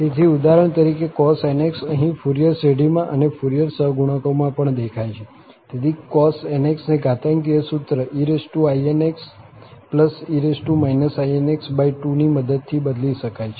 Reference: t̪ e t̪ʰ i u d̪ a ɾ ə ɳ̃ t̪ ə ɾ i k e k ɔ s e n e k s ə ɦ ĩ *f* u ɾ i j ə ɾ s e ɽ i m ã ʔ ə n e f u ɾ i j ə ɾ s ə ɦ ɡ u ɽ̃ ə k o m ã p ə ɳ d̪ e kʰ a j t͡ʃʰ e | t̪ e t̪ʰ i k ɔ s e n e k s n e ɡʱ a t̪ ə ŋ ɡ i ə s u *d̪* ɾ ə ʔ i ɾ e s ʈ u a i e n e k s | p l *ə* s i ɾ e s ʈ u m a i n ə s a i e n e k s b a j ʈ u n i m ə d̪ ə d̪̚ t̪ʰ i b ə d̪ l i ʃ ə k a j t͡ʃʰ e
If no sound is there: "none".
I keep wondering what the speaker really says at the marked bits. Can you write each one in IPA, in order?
f, t̪, ə

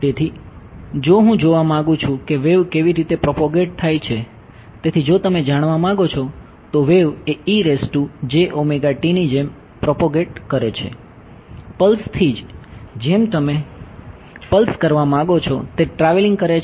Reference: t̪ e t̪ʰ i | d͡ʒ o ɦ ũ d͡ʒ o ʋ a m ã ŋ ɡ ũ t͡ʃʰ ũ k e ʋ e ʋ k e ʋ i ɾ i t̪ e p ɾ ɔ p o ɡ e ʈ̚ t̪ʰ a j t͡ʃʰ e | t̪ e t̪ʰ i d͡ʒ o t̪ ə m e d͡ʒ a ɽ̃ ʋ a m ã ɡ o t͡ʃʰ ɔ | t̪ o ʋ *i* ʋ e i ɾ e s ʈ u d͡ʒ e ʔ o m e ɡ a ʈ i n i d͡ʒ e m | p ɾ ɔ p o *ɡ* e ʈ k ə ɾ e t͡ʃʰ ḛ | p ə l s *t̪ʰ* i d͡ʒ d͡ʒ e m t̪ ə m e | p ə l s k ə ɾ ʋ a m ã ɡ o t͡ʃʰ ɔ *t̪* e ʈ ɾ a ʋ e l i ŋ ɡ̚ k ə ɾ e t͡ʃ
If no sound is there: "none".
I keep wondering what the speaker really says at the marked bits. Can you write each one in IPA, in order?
e, ɡ, t̪ʰ, t̪

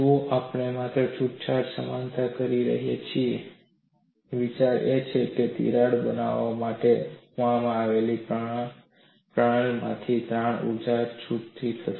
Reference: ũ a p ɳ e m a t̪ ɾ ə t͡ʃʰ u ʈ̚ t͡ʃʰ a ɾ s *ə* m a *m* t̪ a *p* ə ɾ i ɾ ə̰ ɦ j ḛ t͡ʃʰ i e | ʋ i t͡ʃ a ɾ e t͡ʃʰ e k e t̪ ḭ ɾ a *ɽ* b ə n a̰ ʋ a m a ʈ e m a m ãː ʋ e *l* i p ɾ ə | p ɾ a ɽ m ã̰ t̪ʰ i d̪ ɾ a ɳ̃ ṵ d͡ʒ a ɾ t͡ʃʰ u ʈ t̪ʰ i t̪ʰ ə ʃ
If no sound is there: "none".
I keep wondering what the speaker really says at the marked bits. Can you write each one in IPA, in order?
ə, n, k, ɽ, l

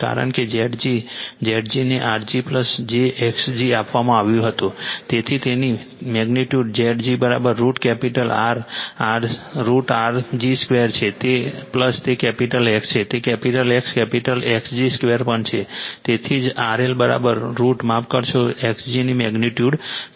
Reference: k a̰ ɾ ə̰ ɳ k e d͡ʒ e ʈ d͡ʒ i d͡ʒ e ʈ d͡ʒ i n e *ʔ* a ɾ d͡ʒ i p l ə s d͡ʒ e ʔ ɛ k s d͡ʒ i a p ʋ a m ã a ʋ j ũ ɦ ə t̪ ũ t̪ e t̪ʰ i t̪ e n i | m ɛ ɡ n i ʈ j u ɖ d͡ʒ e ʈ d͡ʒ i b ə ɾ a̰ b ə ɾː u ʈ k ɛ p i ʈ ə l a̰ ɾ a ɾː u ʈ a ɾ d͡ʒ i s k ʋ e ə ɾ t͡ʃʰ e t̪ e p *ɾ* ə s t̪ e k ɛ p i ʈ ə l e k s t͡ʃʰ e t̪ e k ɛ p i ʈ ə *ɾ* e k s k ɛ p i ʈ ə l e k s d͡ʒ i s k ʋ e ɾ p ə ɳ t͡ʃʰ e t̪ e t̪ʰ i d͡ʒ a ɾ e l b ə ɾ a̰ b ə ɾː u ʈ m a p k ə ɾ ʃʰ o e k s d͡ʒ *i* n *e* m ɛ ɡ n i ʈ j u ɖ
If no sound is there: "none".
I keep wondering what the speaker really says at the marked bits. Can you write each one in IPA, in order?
ʔ, l, l, i, i

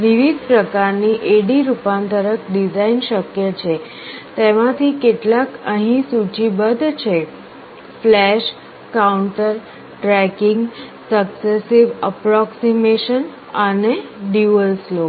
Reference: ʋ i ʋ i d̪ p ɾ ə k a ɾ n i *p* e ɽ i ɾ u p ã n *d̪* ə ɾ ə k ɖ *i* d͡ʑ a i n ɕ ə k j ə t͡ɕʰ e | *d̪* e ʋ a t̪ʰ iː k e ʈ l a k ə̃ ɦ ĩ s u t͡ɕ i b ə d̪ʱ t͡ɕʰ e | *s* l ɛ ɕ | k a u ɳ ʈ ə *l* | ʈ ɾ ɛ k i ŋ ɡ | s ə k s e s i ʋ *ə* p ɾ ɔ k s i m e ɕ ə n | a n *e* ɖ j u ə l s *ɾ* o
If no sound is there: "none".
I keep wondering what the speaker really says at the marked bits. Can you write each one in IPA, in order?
ʔ, t̪, i, t̪, f, ɾ, ə, e, l

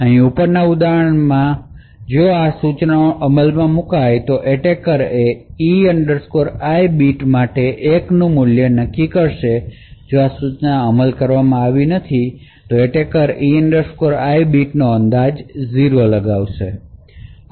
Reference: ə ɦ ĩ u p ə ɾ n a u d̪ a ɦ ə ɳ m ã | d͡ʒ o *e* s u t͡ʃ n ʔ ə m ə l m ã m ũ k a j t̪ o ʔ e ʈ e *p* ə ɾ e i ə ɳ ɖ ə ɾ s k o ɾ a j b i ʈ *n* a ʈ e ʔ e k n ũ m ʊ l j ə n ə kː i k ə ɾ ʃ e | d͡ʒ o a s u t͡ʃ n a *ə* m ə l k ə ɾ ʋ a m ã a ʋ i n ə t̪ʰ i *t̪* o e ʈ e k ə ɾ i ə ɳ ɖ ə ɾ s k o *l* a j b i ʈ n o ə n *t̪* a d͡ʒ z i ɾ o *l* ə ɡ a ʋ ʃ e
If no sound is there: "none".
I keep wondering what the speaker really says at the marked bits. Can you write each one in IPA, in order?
a, k, m, ə, t̪, ɾ, d̪, l

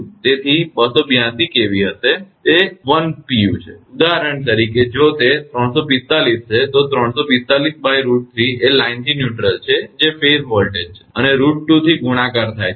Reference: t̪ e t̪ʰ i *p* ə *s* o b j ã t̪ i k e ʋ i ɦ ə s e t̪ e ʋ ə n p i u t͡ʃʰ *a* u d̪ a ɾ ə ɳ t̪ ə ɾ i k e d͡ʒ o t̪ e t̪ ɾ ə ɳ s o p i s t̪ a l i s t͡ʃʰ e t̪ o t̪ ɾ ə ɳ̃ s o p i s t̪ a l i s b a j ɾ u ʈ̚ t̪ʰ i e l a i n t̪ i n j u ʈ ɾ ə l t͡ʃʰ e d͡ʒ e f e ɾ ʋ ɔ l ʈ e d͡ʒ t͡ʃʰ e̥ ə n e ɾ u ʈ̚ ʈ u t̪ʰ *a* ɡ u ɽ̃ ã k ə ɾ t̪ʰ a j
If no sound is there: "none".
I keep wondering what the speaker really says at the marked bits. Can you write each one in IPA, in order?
b, s, e, i

